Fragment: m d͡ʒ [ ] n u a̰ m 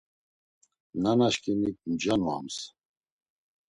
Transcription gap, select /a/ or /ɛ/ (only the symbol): a